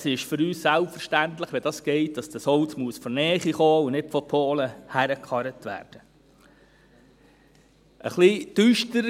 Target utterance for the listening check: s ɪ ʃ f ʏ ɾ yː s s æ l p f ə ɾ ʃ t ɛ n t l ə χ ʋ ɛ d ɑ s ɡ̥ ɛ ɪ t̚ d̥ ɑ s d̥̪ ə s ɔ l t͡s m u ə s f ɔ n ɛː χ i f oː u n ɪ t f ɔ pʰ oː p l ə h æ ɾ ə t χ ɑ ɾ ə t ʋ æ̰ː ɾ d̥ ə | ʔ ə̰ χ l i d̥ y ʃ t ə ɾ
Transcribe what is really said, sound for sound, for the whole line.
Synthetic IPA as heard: s ɪ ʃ f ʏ ɾ yː s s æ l p f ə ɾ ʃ t æ n t l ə χ ʋ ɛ d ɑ s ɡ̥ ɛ ɪ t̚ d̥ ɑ s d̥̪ ə s ɔ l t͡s m u ə s f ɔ n ɛː χ i χ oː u n ɪ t f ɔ pʰ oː l ə h æ ɾ ə k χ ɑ ɾ ə t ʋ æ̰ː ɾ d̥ ə | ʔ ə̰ χ l i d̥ y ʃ t ə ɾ